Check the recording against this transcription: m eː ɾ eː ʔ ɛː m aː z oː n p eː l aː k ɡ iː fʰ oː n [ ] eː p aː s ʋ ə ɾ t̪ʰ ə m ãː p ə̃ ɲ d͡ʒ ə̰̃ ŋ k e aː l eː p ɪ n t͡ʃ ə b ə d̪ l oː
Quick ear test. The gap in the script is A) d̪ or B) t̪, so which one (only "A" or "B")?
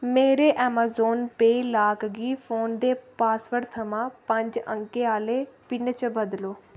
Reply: A